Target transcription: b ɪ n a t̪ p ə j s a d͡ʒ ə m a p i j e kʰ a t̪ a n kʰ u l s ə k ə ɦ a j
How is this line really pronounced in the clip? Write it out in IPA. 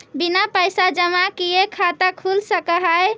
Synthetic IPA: b i n a p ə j s a d͡ʒ ə m a k i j e kʰ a t̪ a kʰ u l s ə k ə ɦ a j